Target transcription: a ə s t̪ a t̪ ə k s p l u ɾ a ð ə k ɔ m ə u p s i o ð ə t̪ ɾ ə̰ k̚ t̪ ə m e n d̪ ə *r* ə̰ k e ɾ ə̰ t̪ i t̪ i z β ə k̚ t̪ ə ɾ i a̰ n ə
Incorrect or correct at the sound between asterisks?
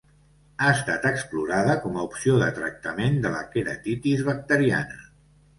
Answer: incorrect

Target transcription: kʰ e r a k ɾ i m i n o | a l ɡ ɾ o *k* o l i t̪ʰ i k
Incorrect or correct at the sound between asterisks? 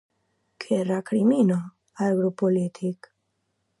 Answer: incorrect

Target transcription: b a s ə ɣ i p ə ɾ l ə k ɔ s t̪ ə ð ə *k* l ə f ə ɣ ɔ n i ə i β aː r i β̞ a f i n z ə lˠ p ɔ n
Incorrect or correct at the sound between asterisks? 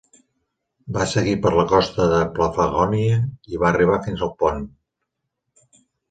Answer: incorrect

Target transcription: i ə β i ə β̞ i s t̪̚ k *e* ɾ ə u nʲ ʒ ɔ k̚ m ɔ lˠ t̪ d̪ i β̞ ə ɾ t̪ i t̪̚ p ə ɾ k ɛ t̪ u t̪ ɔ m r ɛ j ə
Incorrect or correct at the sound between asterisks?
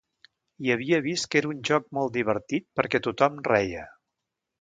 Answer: correct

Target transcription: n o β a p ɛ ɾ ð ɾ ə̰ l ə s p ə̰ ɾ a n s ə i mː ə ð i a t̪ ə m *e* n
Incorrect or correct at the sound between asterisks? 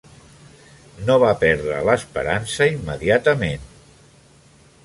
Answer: correct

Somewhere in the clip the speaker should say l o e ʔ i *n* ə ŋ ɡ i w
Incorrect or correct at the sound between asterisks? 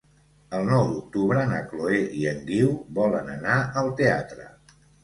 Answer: incorrect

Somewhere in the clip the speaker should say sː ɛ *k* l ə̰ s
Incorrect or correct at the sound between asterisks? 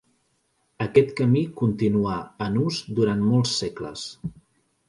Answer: correct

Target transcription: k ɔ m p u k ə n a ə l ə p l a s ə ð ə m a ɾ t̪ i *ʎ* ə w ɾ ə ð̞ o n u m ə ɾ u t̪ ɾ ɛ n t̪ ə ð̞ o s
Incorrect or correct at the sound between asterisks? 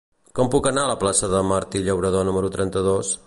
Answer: correct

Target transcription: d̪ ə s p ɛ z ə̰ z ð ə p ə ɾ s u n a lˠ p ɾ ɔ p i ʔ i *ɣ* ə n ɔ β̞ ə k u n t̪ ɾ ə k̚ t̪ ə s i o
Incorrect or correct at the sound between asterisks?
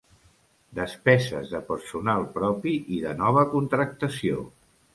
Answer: incorrect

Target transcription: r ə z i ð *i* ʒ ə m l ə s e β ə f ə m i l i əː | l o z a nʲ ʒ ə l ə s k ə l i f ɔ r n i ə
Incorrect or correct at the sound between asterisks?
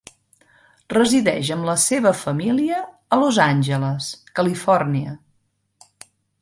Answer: incorrect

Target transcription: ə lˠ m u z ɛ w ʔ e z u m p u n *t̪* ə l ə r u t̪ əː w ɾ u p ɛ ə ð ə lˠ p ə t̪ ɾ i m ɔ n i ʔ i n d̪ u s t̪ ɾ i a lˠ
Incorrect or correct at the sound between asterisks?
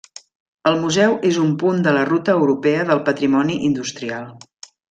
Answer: incorrect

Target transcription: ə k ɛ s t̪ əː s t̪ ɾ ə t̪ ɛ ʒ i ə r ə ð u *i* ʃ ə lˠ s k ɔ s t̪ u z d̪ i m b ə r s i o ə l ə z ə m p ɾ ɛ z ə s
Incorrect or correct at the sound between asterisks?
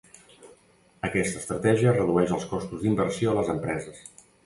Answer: incorrect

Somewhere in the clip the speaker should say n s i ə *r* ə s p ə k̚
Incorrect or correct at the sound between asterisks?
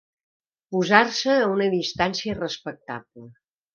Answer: correct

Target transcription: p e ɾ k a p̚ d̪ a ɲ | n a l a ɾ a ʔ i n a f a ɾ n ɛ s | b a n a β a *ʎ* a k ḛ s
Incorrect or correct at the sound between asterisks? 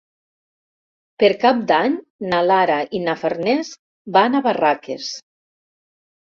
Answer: incorrect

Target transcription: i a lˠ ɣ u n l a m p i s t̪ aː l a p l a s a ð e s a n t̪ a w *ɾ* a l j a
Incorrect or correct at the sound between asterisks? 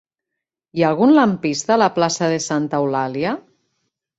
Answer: incorrect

